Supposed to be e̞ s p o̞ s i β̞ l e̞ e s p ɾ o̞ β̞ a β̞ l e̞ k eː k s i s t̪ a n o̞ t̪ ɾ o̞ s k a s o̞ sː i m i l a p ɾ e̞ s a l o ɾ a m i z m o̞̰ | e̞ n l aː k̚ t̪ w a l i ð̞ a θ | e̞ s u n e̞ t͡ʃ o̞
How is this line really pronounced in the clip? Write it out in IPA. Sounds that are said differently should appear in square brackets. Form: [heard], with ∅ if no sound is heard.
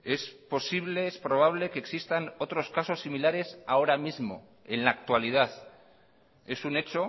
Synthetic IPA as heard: e̞ s p o̞ s i β̞ l e̞ e s p ɾ o̞ β̞ a β̞ l e̞ k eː k s i s t̪ a n o̞ t̪ ɾ o̞ s k a s o̞ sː i m i l a [∅] ɾ e̞ s a [∅] o ɾ a m i z m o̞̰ | e̞ n l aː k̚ t̪ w a l i ð̞ a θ | e̞ s u n e̞ t͡ʃ o̞